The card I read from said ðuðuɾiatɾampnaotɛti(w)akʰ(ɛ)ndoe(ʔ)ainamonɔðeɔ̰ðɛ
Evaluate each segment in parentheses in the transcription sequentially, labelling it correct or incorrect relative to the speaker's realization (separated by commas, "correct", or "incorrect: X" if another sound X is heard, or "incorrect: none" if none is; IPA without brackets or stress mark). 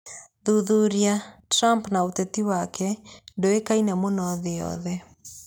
correct, correct, incorrect: k